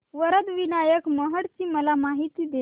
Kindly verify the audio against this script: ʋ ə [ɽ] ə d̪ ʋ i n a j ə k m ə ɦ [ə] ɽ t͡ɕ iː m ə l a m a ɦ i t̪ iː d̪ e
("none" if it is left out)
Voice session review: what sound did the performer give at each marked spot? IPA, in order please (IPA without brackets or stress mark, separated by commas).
ɾ, ə